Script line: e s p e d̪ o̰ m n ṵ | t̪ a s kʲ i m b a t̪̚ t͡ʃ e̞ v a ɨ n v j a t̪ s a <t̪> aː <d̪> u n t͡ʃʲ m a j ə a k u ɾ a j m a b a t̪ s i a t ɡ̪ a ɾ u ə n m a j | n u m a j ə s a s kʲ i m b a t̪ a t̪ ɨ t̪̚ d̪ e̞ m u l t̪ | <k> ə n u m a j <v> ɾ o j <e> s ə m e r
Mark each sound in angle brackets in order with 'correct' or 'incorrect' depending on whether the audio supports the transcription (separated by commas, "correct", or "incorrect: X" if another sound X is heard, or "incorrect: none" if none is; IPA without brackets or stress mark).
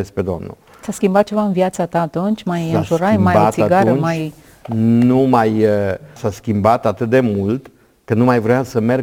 correct, incorrect: t̪, correct, correct, incorrect: a